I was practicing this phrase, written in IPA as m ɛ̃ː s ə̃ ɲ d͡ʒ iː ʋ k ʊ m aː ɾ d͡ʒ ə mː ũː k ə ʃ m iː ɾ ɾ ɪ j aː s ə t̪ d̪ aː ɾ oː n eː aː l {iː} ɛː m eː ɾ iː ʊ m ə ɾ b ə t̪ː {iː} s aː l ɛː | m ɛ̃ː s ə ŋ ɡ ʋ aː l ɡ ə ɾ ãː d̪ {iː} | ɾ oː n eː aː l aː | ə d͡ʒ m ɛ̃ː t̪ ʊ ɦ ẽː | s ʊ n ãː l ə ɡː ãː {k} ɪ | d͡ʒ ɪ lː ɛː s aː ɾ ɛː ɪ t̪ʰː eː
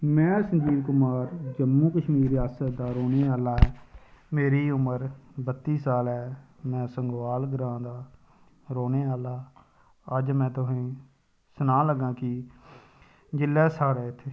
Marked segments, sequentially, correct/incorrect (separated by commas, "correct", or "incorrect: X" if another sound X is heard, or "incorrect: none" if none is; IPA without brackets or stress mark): incorrect: aː, correct, incorrect: aː, correct